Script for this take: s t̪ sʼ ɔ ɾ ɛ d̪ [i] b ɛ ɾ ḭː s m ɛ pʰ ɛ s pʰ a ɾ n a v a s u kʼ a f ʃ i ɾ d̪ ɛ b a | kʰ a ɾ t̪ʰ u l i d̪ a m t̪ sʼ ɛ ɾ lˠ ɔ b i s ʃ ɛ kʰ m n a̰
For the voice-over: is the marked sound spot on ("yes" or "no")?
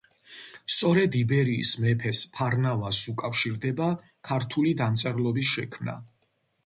yes